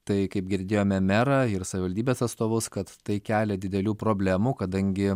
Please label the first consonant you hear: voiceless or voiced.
voiceless